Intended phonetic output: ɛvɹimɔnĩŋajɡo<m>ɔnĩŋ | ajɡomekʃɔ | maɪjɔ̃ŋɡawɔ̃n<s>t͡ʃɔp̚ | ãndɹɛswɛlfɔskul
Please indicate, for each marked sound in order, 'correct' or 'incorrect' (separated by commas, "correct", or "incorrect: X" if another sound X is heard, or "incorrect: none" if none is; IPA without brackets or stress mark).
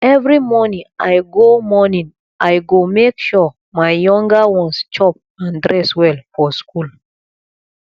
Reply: correct, correct